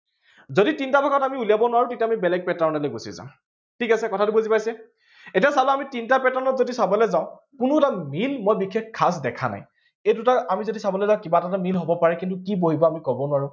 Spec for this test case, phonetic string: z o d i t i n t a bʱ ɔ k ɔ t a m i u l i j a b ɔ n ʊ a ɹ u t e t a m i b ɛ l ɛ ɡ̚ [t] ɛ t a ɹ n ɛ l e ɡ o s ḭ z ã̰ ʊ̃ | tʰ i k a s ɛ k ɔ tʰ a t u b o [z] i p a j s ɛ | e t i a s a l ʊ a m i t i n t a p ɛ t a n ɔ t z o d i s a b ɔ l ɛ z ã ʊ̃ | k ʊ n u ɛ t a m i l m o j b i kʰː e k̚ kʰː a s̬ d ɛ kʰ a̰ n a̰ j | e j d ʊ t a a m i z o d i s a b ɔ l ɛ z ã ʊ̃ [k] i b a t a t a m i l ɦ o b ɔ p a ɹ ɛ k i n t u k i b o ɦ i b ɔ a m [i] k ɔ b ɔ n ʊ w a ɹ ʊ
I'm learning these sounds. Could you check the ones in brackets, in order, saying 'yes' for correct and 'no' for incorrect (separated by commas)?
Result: no, yes, yes, yes